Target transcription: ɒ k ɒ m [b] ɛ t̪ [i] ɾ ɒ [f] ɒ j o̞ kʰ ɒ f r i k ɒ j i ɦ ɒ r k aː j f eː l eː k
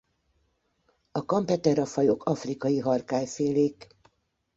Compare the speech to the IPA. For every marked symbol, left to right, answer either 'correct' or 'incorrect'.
incorrect, incorrect, correct

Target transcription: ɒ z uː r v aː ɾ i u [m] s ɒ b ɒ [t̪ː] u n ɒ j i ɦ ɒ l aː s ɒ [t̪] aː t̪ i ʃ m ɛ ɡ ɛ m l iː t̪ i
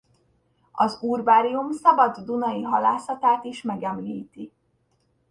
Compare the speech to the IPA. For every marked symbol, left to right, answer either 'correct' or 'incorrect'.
correct, incorrect, correct

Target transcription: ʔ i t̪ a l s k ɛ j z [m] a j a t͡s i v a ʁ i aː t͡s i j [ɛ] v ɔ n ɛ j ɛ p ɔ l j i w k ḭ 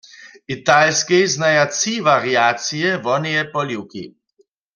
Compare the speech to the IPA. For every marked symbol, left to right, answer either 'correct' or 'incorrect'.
incorrect, correct

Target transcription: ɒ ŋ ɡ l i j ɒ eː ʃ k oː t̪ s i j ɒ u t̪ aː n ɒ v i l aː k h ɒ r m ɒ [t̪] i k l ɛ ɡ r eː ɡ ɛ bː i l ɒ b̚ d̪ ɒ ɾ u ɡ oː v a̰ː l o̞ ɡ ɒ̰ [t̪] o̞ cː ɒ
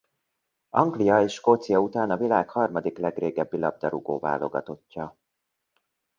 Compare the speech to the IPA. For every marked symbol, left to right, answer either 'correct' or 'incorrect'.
incorrect, correct

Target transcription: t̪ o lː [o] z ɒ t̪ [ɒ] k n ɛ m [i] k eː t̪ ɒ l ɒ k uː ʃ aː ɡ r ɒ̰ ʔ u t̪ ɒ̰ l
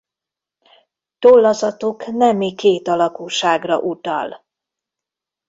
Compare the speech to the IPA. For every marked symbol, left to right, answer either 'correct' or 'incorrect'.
incorrect, incorrect, correct

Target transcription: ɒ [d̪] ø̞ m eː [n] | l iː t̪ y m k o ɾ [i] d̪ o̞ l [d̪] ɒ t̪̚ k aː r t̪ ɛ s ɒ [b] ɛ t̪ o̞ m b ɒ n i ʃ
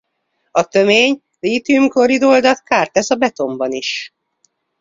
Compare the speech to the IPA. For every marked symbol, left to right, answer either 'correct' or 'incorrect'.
incorrect, incorrect, correct, correct, correct

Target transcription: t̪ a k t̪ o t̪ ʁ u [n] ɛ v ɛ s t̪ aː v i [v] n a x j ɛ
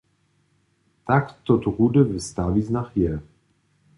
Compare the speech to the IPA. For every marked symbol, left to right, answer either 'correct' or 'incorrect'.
incorrect, incorrect

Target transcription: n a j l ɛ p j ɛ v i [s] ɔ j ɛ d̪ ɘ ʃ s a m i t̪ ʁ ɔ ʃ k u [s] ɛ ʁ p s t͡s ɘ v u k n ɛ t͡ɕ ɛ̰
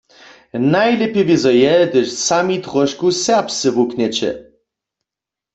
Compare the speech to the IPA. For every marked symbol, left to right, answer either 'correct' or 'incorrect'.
incorrect, correct

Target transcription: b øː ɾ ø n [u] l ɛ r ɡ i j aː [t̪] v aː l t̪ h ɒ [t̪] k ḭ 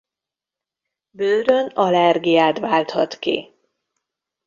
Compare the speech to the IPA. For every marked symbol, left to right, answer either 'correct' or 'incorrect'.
incorrect, correct, correct

